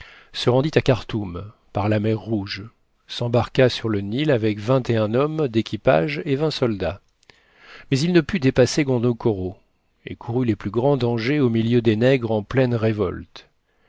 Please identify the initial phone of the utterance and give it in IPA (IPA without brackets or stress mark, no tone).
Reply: s